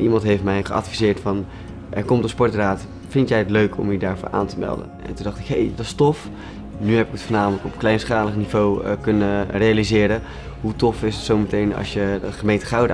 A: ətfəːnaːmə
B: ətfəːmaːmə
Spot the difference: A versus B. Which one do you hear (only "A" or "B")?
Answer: A